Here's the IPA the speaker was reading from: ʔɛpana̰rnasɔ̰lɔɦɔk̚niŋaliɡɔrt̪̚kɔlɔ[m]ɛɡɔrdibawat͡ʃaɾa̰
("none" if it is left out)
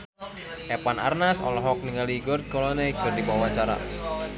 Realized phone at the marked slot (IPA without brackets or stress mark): n